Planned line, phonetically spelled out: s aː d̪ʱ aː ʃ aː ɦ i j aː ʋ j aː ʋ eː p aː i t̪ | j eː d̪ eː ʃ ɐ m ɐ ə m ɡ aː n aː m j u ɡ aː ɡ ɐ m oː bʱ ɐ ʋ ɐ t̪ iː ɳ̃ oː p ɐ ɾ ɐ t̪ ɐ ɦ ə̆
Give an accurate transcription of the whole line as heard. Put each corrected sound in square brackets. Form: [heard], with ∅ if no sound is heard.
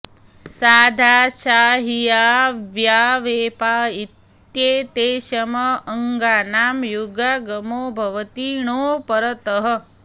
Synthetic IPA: s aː d̪ʱ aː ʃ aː ɦ i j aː ʋ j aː ʋ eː p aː i t̪ | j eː [t̪] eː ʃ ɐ m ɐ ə [ŋ] ɡ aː n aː m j u ɡ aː ɡ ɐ m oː bʱ ɐ ʋ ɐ t̪ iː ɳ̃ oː p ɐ ɾ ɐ t̪ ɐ ɦ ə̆